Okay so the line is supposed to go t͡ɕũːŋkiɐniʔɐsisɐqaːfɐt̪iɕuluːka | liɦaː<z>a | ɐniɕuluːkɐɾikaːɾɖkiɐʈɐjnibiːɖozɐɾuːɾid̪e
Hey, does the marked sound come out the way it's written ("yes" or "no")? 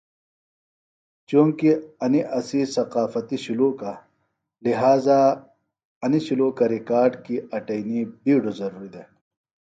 yes